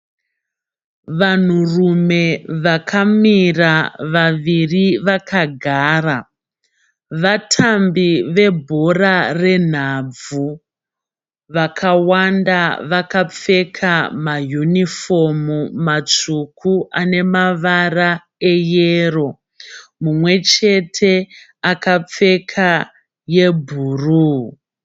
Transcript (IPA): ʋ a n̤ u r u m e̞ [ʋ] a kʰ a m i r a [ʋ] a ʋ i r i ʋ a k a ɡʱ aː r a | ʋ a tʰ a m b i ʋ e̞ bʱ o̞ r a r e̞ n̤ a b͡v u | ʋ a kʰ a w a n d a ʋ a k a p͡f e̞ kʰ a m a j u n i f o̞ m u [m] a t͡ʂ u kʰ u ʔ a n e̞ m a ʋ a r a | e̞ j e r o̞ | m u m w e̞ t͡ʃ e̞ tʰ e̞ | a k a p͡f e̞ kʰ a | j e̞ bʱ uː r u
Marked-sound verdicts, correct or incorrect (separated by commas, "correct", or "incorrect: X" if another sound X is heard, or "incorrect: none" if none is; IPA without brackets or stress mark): correct, correct, correct